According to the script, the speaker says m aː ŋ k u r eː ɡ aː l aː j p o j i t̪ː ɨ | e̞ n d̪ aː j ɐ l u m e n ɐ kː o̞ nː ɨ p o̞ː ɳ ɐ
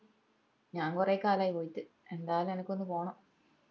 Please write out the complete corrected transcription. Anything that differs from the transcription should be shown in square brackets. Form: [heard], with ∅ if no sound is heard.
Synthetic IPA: [ɲ] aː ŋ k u r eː [k] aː l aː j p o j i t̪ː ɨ | e̞ n d̪ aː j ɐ l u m e n ɐ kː o̞ nː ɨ p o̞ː ɳ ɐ